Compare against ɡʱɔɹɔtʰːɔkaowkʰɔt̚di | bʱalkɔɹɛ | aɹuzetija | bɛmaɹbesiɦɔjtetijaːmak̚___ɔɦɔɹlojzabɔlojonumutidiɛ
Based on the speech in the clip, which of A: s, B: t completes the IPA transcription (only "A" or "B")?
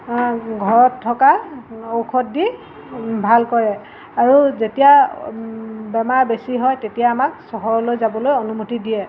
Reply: A